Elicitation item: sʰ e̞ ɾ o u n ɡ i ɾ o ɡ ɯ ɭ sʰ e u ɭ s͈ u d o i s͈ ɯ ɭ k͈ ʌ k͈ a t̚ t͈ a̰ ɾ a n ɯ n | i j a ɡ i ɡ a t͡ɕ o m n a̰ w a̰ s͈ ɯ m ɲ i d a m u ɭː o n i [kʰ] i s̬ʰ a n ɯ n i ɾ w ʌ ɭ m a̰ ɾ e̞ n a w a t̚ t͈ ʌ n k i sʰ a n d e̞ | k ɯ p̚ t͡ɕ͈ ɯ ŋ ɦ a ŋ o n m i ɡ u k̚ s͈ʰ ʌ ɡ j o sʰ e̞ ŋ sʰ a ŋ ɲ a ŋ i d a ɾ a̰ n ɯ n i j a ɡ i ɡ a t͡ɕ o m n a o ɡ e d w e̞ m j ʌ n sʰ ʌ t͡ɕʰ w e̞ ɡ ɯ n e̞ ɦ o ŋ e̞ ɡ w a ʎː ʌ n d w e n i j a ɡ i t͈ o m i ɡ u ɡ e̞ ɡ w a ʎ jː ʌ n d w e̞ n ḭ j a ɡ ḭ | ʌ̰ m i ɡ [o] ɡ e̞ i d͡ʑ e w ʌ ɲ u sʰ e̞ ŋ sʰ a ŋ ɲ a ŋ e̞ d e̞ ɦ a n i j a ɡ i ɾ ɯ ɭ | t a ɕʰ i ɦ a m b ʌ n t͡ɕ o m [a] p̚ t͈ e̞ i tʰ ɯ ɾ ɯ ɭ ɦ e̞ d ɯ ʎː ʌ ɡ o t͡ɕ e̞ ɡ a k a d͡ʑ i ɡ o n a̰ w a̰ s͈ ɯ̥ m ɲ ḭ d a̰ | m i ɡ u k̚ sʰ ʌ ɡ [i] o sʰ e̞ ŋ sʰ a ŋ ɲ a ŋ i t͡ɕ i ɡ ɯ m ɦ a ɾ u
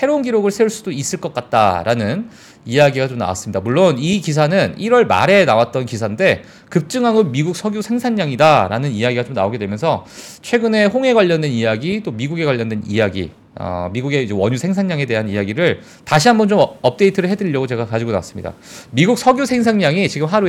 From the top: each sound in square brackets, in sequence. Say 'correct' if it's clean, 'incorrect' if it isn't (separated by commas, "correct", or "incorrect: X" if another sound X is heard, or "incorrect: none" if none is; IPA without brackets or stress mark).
incorrect: k, incorrect: u, incorrect: ʌ, incorrect: j